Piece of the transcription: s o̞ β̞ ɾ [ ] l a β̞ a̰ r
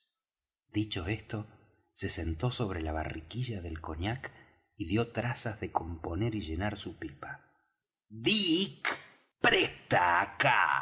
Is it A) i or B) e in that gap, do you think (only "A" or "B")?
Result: B